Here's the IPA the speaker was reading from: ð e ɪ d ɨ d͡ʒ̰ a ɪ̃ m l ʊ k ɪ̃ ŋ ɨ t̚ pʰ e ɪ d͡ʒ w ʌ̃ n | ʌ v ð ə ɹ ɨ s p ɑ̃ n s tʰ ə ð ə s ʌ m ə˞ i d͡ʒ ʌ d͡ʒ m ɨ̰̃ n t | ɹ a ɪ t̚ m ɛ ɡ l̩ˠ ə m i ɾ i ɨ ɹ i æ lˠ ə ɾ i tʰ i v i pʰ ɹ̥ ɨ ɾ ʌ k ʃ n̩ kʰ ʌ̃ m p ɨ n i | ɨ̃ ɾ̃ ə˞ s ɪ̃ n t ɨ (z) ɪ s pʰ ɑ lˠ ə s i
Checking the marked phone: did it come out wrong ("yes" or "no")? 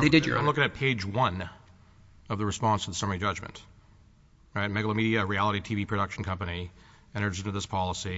yes